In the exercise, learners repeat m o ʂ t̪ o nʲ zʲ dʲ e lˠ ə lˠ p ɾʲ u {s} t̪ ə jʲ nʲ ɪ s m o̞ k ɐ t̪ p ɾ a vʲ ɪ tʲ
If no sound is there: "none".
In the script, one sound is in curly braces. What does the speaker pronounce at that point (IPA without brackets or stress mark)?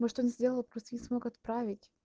s